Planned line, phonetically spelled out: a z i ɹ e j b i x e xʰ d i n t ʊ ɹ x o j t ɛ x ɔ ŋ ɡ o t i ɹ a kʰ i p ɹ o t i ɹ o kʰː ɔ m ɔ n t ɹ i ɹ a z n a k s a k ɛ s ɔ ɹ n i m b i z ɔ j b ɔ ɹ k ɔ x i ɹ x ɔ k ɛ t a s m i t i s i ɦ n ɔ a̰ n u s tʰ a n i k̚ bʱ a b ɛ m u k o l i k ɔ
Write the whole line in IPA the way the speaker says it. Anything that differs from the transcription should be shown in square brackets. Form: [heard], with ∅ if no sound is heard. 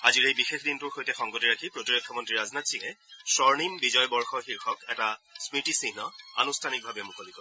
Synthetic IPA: a z i ɹ e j b i x e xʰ d i n t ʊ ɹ x o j t ɛ x ɔ ŋ ɡ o t i ɹ a kʰ i p ɹ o t i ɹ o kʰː ɔ m ɔ n t ɹ i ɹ a z n a [t] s [i] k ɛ s ɔ ɹ n i m b i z ɔ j b ɔ ɹ [x] ɔ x i ɹ x ɔ k ɛ t a s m i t i s i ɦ n ɔ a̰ n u s tʰ a n i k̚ bʱ a b ɛ m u k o l i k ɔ